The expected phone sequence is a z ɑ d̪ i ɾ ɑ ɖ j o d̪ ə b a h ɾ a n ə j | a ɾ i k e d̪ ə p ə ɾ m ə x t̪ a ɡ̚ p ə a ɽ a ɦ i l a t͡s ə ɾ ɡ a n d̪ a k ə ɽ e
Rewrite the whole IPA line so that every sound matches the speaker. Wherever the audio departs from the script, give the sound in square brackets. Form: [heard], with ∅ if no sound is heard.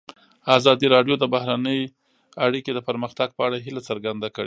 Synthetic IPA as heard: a z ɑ d̪ i ɾ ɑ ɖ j o d̪ ə b a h ɾ a n ə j | a [ɽ] i k e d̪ ə p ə ɾ m ə x t̪ a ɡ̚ p ə a ɽ a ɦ i l a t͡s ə ɾ ɡ a n d̪ a k ə ɽ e